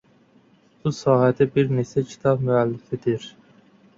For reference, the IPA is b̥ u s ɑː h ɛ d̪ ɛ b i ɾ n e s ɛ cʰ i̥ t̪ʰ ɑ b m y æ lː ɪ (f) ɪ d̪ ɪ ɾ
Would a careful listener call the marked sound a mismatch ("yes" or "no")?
no